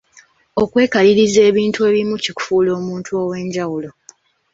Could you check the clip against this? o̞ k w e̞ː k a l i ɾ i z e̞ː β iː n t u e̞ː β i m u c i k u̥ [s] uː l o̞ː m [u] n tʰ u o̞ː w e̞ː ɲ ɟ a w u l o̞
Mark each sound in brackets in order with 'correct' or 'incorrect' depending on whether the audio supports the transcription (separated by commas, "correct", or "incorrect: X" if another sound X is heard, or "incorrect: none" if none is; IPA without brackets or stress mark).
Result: incorrect: f, incorrect: uː